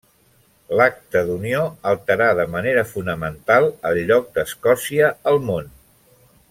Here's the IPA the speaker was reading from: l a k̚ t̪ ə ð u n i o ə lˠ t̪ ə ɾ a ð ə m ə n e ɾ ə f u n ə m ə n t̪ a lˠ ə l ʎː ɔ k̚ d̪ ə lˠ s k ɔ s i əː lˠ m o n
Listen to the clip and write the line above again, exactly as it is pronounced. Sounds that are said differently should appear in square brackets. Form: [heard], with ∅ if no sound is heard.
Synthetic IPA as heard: l a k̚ t̪ ə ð u n i o ə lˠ t̪ ə ɾ a ð ə m ə n e ɾ ə f u n ə m ə n t̪ a lˠ ə l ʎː ɔ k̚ d̪ ə [∅] s k ɔ s i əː lˠ m o n

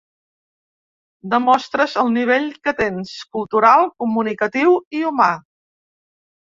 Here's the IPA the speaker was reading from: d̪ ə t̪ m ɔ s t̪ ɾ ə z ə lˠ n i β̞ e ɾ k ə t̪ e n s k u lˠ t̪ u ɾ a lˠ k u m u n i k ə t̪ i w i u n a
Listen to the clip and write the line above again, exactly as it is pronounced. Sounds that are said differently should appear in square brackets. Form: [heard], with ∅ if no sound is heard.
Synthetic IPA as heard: d̪ ə [∅] m ɔ s t̪ ɾ ə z ə lˠ n i β̞ e [ʎ] k ə t̪ e n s k u lˠ t̪ u ɾ a lˠ k u m u n i k ə t̪ i w i u [m] a

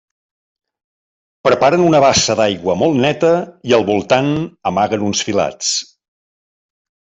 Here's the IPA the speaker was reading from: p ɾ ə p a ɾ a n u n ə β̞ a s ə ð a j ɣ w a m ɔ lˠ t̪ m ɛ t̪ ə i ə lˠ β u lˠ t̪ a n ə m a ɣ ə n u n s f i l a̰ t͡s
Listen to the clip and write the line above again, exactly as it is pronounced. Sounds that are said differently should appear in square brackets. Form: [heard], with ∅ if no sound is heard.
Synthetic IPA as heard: p ɾ ə p a ɾ [ə] n u n ə β̞ a s ə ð a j ɣ w [ə] m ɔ lˠ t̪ [n] ɛ t̪ ə i ə lˠ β u lˠ t̪ a n ə m a ɣ ə n u n s f i l a̰ t͡s

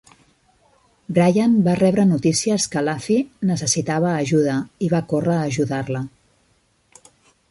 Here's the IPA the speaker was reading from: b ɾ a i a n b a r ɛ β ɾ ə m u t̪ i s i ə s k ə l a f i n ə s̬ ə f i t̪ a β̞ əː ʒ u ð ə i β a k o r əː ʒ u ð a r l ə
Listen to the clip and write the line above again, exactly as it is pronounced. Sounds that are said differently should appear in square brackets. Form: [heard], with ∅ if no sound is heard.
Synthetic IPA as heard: b ɾ a [j] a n b a r ɛ β ɾ ə [n] u t̪ i s i ə s k ə l a f i n ə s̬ ə [s] i t̪ a β̞ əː ʒ u ð ə i β a k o r əː ʒ u ð a r l ə

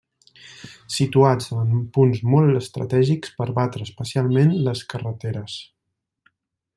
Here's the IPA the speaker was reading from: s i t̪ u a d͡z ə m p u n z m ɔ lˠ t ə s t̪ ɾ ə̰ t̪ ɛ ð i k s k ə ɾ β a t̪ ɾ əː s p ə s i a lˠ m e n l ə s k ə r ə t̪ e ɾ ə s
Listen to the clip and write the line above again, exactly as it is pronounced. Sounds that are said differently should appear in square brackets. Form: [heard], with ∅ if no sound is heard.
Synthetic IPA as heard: s i t̪ u a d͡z ə m p u n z m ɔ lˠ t ə s t̪ ɾ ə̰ t̪ ɛ [ʒ] i k s [p] ə ɾ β a t̪ ɾ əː s p ə s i a lˠ m e n l ə s k ə r ə t̪ e ɾ ə s

